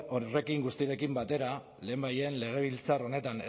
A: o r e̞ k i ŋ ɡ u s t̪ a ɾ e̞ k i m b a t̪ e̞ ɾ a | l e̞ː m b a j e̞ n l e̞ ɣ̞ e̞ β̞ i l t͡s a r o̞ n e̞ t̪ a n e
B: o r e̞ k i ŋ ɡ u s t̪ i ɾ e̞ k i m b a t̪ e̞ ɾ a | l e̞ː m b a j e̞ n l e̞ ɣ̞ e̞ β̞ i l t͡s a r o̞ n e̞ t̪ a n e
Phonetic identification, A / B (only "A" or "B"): B